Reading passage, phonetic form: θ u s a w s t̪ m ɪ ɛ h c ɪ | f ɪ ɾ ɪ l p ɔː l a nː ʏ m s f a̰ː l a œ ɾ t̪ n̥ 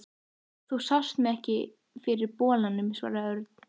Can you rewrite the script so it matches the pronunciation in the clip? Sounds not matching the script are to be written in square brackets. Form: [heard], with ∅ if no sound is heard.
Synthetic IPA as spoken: θ u s a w s t̪ m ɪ ɛ h c ɪ | f ɪ ɾ ɪ [ɾ] p ɔː l a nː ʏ m s [v] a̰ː [ɾ] a œ ɾ t̪ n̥